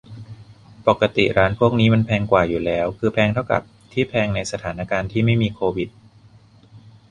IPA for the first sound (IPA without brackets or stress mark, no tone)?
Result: p